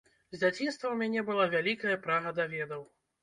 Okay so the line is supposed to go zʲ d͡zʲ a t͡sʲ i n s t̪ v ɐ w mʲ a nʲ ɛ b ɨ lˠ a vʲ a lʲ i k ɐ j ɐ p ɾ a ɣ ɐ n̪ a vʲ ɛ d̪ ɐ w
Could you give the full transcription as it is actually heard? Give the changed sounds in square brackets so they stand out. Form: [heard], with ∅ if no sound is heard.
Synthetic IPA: zʲ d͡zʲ a t͡sʲ i n s t̪ v ɐ w mʲ a nʲ ɛ b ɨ lˠ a vʲ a lʲ i k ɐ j ɐ p ɾ a ɣ ɐ [d̪] a vʲ ɛ d̪ ɐ w